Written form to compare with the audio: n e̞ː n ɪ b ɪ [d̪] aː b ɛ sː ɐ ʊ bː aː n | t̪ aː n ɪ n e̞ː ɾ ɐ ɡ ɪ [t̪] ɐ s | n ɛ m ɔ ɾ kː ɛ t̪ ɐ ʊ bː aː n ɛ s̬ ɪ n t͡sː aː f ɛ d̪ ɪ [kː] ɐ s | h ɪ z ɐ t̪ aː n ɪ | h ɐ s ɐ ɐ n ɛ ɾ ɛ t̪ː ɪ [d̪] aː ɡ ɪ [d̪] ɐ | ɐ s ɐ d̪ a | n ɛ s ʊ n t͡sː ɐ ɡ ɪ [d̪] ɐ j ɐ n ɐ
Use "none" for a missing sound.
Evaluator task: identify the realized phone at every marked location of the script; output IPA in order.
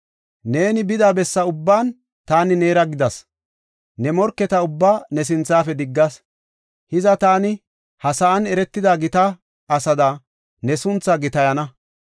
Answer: d̪, d̪, ɡː, d̪, t̪, t̪

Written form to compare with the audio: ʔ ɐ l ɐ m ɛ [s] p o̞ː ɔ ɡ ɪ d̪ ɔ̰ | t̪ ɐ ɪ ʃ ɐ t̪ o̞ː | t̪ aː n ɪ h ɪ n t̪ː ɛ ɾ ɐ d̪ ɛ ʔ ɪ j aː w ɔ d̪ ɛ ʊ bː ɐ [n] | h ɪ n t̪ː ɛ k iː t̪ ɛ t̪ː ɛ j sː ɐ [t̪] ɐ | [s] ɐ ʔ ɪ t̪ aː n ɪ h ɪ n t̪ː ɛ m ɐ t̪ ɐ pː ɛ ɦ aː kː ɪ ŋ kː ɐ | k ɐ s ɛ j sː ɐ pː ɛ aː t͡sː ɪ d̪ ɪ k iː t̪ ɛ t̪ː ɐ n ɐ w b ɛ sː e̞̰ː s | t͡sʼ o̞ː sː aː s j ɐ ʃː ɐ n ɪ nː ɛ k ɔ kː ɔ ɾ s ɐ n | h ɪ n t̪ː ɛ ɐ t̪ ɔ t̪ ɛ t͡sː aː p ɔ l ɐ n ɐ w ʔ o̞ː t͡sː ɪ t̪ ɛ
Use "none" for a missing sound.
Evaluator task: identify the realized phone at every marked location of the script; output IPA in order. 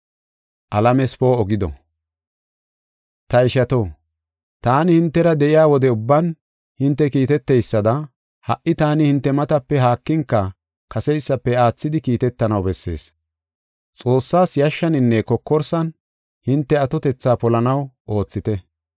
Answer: s, n, d̪, h

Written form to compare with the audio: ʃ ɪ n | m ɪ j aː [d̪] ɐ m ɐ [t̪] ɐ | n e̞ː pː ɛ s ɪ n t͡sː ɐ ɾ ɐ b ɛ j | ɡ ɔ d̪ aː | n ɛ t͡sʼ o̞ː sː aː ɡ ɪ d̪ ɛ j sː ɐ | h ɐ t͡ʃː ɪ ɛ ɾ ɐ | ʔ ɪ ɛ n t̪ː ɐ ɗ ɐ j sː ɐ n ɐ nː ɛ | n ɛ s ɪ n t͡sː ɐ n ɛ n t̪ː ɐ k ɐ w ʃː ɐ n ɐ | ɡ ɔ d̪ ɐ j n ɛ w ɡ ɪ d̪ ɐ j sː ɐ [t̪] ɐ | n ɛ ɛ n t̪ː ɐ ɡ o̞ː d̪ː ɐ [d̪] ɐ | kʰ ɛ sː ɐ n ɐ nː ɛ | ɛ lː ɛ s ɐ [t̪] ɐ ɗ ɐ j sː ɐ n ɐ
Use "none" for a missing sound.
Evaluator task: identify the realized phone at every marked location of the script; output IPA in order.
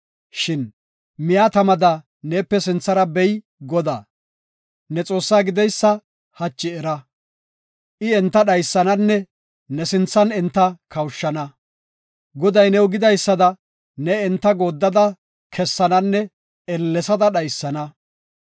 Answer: t̪, d̪, d̪, d̪, d̪

